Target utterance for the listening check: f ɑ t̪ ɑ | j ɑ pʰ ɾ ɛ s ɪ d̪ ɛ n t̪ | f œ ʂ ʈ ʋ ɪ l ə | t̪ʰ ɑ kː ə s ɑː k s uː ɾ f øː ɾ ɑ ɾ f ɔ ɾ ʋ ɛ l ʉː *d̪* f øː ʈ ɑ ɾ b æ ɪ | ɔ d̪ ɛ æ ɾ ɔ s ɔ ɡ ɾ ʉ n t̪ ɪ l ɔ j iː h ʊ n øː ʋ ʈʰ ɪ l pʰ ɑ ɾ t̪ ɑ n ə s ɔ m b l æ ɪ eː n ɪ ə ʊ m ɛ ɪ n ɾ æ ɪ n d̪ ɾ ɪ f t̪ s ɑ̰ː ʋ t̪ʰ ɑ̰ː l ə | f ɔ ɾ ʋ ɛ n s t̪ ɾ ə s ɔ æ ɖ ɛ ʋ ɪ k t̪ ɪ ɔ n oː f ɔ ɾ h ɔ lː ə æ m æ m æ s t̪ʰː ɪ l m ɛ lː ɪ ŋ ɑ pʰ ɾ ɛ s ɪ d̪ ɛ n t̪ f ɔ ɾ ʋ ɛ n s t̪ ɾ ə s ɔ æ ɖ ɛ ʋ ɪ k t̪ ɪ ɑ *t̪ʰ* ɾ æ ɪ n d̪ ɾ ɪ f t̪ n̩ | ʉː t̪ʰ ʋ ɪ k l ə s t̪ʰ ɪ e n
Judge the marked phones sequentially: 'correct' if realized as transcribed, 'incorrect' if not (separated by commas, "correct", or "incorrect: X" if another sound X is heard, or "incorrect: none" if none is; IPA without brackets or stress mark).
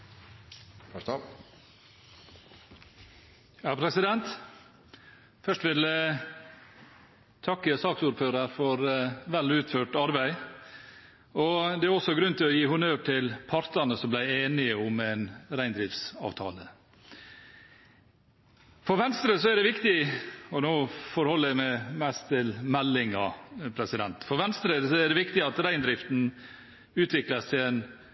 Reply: incorrect: t̪, incorrect: t̪